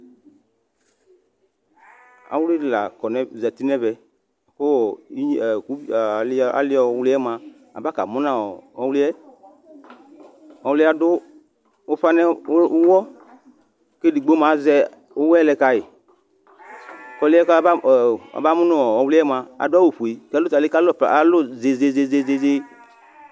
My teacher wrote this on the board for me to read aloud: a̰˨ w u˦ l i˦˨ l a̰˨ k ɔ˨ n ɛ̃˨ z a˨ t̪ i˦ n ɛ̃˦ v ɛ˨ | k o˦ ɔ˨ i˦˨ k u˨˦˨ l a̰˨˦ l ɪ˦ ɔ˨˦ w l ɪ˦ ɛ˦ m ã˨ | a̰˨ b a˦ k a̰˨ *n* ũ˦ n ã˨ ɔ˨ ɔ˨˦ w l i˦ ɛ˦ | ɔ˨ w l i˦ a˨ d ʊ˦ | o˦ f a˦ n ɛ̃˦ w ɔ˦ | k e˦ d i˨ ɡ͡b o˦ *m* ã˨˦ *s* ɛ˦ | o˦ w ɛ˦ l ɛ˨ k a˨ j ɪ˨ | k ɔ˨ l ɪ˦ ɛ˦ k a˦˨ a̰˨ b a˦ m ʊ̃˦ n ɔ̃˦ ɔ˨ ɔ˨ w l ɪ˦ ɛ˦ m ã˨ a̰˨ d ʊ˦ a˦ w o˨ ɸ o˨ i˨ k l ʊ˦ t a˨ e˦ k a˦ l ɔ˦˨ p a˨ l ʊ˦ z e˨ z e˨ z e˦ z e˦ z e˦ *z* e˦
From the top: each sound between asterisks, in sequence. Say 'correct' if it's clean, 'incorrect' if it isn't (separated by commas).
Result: incorrect, correct, incorrect, correct